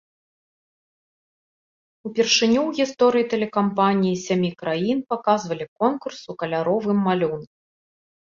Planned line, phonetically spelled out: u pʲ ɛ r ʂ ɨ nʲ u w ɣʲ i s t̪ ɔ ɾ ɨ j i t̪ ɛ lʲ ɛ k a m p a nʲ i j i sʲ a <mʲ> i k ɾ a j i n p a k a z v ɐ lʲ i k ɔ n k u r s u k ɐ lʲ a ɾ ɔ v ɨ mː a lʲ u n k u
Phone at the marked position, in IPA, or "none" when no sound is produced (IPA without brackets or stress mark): mʲ